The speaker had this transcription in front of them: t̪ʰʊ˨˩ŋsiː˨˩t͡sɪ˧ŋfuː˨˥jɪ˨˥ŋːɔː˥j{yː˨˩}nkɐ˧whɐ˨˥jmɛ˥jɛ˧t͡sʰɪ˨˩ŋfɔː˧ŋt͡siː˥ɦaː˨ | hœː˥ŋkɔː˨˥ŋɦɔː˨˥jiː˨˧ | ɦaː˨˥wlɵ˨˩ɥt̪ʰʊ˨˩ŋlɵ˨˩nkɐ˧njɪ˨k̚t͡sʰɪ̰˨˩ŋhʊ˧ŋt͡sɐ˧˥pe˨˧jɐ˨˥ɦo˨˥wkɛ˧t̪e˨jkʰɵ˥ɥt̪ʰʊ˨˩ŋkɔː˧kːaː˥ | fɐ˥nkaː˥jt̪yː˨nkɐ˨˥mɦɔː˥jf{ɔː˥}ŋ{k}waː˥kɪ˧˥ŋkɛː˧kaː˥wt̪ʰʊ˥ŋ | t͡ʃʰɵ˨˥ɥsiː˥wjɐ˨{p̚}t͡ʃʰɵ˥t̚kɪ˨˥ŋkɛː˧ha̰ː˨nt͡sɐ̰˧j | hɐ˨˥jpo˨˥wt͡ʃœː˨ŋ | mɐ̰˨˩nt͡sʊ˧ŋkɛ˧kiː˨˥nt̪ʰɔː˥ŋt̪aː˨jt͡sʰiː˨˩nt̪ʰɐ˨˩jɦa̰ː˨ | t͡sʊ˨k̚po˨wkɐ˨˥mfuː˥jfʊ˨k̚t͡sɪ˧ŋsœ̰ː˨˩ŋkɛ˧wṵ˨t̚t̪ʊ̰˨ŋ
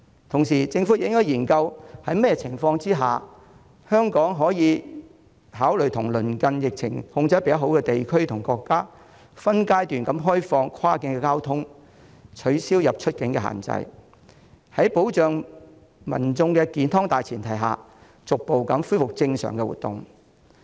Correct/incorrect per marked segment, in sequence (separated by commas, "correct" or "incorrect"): incorrect, incorrect, incorrect, correct